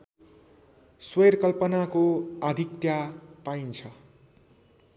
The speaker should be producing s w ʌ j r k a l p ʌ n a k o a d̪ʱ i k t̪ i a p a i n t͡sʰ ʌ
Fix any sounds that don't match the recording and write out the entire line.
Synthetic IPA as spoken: s w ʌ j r k ʌ l p ʌ n a k o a d̪ʱ i k t̪ j a p a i n t͡sʰ ʌ